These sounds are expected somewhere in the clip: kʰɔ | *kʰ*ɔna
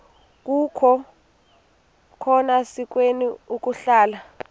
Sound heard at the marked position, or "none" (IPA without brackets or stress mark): kʰ